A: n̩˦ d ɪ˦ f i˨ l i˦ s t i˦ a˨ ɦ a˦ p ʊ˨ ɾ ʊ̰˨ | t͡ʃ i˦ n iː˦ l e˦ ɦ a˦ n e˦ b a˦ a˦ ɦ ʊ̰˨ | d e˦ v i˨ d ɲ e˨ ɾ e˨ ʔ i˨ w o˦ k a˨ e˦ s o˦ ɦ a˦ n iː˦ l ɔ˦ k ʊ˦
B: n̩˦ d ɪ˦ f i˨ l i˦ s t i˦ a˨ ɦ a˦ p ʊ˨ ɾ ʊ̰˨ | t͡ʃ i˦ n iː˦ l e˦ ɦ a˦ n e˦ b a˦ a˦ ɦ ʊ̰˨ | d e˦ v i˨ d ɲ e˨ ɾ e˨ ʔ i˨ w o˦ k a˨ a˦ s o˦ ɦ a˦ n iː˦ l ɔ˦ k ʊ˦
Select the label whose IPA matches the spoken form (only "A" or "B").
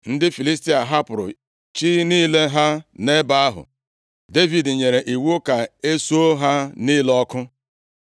A